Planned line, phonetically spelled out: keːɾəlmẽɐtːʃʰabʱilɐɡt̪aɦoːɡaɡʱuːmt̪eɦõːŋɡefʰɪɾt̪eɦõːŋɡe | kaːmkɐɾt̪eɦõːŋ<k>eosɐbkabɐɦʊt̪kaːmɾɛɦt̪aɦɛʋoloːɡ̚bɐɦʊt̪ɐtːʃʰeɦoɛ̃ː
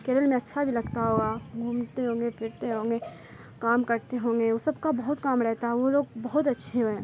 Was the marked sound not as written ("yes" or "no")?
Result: yes